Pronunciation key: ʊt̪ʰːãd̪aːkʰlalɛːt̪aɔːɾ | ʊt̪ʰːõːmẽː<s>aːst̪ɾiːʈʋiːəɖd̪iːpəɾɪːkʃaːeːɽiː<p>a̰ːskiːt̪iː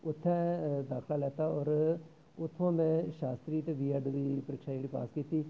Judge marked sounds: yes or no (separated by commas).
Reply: no, yes